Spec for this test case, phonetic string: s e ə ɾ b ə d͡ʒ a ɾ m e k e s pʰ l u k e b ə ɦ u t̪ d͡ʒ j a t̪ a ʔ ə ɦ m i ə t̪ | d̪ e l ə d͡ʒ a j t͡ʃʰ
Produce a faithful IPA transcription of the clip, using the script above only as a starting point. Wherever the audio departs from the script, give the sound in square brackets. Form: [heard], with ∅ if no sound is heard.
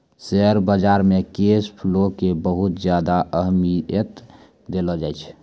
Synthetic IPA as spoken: s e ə ɾ b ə d͡ʒ a ɾ m e k e s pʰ l [o] k e b ə ɦ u t̪ d͡ʒ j a [d̪] a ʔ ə ɦ m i ə t̪ | d̪ e l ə d͡ʒ a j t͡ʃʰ